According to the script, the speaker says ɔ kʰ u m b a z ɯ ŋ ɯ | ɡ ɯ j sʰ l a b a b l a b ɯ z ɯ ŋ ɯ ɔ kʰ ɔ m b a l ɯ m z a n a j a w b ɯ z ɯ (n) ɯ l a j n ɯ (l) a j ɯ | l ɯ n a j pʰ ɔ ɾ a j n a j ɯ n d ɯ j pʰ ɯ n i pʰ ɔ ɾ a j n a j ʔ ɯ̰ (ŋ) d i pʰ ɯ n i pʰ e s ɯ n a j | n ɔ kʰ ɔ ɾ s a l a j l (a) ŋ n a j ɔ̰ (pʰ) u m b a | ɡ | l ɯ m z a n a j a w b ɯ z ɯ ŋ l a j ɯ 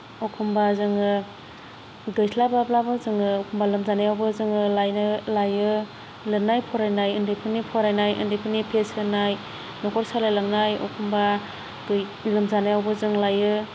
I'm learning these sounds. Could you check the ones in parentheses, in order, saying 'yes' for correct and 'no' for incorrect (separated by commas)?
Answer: no, yes, no, yes, no